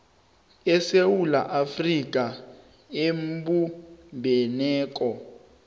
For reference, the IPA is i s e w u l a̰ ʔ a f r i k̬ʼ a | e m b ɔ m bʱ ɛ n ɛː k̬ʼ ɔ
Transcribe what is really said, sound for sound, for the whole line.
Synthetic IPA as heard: ɛ s e w u l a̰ ʔ a f r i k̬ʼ a | e m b u m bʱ ɛ n ɛː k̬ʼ ɔ